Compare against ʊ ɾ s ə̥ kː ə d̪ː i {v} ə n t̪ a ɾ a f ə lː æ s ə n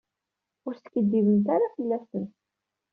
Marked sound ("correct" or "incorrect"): correct